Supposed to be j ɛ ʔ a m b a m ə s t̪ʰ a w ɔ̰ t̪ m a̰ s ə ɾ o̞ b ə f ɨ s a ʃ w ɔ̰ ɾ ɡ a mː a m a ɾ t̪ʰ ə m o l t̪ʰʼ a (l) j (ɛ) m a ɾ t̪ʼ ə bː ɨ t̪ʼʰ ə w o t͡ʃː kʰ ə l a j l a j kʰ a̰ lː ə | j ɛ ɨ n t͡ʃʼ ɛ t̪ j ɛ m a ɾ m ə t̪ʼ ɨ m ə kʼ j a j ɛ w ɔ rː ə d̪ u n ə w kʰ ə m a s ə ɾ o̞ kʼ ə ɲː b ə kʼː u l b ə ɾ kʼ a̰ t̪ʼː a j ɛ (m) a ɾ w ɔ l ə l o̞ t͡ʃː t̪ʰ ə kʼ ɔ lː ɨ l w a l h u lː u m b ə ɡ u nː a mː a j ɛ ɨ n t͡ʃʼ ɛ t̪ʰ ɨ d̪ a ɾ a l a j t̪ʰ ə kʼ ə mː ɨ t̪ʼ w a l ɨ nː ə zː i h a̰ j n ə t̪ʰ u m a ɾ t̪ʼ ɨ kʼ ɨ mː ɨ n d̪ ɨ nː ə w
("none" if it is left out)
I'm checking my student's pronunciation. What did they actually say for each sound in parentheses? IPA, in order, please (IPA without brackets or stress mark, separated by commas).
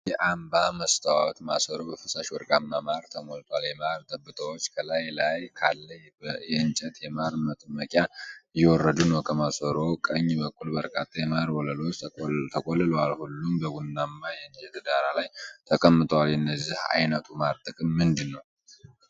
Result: l, ɛ, m